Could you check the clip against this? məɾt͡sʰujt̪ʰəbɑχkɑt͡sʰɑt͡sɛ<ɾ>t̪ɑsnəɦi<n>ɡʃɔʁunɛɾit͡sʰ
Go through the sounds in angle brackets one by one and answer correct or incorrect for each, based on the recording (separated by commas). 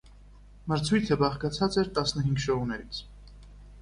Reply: correct, incorrect